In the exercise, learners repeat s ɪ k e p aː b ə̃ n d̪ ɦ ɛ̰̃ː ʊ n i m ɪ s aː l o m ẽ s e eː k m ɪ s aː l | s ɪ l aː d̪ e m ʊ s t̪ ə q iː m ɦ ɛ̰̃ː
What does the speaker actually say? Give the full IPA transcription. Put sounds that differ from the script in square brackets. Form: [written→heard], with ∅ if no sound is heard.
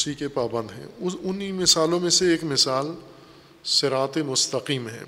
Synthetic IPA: s [ɪ→i] k e p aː b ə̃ n d̪ ɦ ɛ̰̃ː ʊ n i m ɪ s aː l [o→õ] m ẽ s e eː k m ɪ s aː l | s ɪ [l→ɾ] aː [d̪→t̪] e m ʊ s t̪ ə q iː m ɦ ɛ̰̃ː